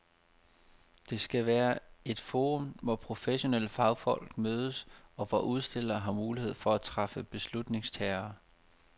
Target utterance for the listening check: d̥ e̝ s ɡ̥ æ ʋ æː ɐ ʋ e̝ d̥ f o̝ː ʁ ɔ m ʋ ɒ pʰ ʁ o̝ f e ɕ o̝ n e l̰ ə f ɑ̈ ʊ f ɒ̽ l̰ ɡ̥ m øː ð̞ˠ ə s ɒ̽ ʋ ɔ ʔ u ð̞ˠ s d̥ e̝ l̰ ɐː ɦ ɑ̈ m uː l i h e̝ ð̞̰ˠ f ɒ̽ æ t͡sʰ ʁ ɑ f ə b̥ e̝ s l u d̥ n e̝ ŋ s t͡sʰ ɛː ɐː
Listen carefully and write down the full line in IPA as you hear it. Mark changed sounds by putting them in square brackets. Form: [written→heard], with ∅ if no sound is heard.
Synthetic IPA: d̥ e̝ s ɡ̥ æ ʋ æː ɐ [ʋ→∅] e̝ d̥ f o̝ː ʁ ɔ m ʋ ɒ pʰ ʁ o̝ f e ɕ o̝ n e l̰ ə f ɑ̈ ʊ f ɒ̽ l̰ ɡ̥ m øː ð̞ˠ ə s ɒ̽ ʋ [ɔ→ɒ] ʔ u ð̞ˠ s d̥ e̝ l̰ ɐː ɦ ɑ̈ m uː l i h e̝ ð̞̰ˠ f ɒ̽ æ t͡sʰ ʁ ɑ f ə b̥ e̝ s l u d̥ n e̝ ŋ s t͡sʰ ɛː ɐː